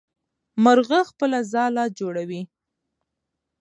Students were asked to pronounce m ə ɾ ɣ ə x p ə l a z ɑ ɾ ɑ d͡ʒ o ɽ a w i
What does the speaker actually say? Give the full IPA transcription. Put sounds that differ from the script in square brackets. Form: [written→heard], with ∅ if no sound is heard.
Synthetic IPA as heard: m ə ɾ ɣ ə x p ə l a z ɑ [ɾ→l] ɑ d͡ʒ o ɽ a w i